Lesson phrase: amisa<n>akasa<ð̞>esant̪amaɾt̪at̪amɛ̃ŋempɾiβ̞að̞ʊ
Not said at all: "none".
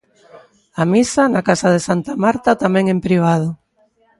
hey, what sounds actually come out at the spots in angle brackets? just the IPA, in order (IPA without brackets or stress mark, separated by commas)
n, ð̞